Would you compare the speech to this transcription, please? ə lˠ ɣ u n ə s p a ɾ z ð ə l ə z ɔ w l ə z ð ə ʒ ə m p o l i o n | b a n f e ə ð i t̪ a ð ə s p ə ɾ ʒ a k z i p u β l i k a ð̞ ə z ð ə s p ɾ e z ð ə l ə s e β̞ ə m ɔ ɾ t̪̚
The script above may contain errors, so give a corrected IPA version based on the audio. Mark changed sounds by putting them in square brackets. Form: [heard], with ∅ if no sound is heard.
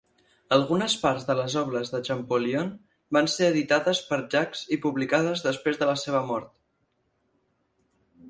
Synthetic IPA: ə lˠ ɣ u n ə s p a ɾ z ð ə l ə z ɔ [β] l ə z ð ə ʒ ə m p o l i o n | b a n [s] e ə ð i t̪ a ð ə s p ə ɾ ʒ a k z i p u β l i k a ð̞ ə z ð ə s p ɾ e z ð ə l ə s e β̞ ə m ɔ ɾ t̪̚